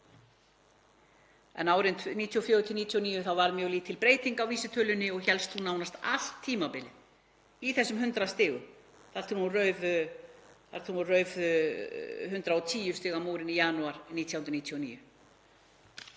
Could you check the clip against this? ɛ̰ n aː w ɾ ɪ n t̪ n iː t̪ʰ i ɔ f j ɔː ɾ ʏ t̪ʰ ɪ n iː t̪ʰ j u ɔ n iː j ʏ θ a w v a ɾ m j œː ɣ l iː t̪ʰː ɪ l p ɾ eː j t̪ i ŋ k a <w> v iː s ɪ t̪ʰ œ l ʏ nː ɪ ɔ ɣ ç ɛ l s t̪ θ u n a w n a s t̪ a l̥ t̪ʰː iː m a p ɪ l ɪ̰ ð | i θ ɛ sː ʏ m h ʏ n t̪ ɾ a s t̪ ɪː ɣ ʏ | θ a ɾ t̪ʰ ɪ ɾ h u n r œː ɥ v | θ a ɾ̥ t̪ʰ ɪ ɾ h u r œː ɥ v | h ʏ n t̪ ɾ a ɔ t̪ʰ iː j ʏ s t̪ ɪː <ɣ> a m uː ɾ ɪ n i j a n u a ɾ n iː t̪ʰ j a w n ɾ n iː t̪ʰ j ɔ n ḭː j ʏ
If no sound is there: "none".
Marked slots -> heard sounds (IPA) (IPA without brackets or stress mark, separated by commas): w, ɣ